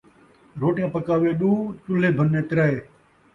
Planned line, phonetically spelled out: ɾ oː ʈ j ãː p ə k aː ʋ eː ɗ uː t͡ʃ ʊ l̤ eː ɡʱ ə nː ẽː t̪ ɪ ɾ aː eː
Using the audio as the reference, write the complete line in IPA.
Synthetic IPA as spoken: ɾ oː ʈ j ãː p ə k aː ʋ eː ɗ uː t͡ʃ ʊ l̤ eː bʱ ə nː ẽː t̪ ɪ ɾ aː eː

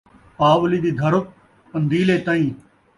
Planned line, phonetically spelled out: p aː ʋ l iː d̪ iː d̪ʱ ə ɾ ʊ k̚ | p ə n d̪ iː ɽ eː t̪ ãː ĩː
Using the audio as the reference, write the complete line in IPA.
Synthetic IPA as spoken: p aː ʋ l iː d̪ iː d̪ʱ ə ɾ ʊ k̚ | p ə n d̪ iː l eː t̪ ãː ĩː

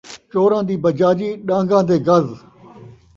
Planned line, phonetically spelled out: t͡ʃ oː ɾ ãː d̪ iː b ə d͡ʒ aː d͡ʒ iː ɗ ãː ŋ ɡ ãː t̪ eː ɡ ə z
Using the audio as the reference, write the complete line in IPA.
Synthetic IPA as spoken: t͡ʃ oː ɾ ãː d̪ iː b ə d͡ʒ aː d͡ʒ iː ɗ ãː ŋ ɡ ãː d̪ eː ɡ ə z

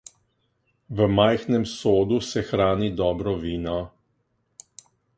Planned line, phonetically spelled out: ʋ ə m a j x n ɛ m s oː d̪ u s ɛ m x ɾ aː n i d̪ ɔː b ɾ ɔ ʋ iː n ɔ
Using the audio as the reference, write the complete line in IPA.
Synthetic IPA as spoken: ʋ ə m a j x n ɛ m s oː d̪ u s ɛ x ɾ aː n i d̪ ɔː b ɾ ɔ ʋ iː n ɔ

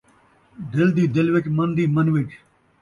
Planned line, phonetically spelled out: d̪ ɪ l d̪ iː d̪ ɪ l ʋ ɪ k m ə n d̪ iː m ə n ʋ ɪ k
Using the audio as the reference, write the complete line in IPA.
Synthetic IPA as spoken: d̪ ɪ l d̪ iː d̪ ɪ l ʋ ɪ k m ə n d̪ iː m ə n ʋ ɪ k

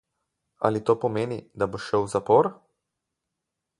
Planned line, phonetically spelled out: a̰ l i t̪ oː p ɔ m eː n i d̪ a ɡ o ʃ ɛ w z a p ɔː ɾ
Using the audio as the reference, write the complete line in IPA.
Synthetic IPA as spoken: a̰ l i t̪ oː p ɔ m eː n i d̪ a b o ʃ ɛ w z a p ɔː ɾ

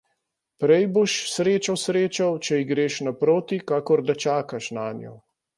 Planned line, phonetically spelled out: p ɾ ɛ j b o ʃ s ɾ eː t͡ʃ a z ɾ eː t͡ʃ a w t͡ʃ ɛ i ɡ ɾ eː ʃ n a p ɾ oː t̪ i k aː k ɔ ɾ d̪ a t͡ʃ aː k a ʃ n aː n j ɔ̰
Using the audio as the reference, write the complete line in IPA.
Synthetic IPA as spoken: p ɾ ɛ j b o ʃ s ɾ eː t͡ʃ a s ɾ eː t͡ʃ a w t͡ʃ ɛ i ɡ ɾ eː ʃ n a p ɾ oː t̪ i k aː k ɔ ɾ d̪ a t͡ʃ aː k a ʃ n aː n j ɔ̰

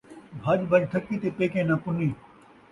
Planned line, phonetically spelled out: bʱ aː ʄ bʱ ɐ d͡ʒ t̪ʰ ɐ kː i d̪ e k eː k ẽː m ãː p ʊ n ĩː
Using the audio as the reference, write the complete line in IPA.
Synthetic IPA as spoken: bʱ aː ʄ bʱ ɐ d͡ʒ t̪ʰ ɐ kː i t̪ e p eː k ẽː n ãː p ʊ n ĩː

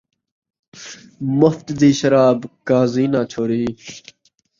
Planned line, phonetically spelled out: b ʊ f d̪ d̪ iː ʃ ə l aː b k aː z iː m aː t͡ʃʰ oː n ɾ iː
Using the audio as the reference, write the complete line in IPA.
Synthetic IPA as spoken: m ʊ f t̪ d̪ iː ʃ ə ɾ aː b k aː z iː n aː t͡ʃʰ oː ɾ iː

